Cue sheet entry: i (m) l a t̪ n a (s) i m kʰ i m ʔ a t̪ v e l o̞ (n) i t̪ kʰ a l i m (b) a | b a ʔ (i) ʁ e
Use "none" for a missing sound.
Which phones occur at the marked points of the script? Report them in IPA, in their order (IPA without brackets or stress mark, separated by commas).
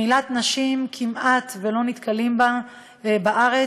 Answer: none, ʃ, n, b, a